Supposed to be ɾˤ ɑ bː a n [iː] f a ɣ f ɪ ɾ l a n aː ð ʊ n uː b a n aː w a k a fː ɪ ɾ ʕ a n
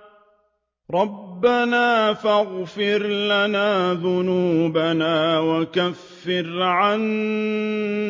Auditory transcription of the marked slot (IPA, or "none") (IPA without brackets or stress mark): aː